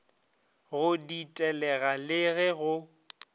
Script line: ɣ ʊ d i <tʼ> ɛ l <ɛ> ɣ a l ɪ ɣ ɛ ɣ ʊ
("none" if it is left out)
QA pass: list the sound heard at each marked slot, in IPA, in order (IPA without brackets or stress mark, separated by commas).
tʼ, ɛ